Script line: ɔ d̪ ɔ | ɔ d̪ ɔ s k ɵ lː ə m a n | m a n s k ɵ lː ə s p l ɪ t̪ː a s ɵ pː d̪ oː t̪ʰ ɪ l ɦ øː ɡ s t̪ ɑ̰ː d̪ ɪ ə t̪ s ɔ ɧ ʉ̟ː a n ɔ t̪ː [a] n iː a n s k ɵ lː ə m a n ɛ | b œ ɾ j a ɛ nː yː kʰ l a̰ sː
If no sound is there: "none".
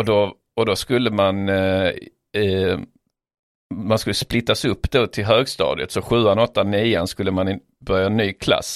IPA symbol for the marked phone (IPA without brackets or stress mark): a